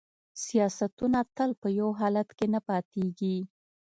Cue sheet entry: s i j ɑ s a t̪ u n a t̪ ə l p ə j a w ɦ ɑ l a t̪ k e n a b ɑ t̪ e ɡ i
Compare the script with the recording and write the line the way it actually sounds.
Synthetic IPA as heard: s i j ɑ s a t̪ u n a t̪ ə l p ə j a w ɦ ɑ l a t̪ k e n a p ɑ t̪ e ɡ i